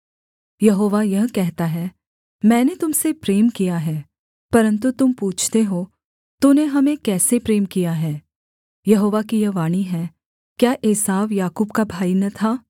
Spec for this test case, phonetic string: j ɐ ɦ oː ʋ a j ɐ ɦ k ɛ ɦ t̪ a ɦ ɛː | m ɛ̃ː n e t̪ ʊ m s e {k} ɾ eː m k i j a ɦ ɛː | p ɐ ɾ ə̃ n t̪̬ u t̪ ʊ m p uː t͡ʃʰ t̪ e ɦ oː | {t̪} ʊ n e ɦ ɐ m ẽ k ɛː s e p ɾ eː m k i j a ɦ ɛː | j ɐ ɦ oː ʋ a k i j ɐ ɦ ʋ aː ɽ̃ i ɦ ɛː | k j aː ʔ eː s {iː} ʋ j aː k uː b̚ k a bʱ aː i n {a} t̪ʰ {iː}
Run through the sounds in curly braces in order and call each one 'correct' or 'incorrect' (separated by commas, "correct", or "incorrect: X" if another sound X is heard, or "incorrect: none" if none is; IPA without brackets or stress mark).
incorrect: p, correct, incorrect: aː, incorrect: ɐ, incorrect: aː